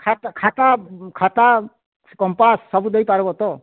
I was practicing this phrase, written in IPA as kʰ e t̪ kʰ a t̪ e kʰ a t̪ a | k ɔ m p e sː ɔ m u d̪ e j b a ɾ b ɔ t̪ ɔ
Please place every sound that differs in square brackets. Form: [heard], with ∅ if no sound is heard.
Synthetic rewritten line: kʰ [a] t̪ kʰ a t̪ [a] kʰ a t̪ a | k ɔ m p [a] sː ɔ [b] u d̪ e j [p] a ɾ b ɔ t̪ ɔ